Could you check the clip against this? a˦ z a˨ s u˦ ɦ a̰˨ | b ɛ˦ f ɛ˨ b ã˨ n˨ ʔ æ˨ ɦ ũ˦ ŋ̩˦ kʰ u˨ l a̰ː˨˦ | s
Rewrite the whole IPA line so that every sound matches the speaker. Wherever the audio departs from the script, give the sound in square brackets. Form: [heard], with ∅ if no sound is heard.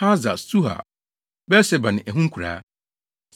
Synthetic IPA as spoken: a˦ z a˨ s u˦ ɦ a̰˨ | b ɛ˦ [s] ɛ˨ b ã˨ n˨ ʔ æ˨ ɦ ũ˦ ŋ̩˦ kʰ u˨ [ɾ] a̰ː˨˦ | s